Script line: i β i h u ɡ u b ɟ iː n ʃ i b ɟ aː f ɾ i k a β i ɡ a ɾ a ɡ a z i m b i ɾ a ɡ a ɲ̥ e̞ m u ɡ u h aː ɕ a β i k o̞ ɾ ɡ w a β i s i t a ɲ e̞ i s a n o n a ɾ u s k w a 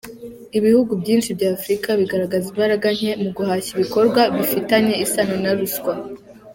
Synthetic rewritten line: i β i h u ɡ u b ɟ iː n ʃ i b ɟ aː f ɾ i k a β i ɡ a ɾ a ɡ a z i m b a ɾ a ɡ a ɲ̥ e̞ m u ɡ u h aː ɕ i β i k o̞ ɾ ɡ w a β i f i t a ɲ e̞ i s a n o n a ɾ u s k w a